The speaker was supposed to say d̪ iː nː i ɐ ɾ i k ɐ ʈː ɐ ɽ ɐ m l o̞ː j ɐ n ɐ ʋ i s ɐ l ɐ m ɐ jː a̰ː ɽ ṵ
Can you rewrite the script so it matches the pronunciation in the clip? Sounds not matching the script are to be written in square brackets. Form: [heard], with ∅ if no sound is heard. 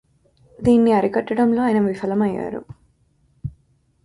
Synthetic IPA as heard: d̪ iː nː i ɐ ɾ i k ɐ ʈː ɐ ɽ ɐ m l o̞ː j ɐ n ɐ ʋ i [f] ɐ l ɐ m ɐ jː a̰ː [ɾ] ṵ